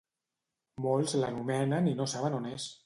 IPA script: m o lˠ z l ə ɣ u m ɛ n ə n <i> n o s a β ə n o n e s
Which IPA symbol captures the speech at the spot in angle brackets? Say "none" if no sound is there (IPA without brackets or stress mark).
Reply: i